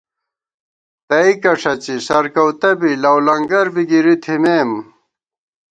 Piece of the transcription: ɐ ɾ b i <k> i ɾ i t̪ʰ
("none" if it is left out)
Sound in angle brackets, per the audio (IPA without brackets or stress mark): ɡ